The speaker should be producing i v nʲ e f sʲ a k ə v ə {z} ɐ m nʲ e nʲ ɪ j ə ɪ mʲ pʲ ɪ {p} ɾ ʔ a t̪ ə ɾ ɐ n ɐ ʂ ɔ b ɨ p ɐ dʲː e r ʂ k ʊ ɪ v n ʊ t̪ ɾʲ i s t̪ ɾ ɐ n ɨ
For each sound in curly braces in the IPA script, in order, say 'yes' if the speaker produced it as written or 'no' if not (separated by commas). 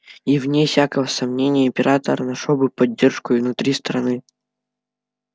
no, no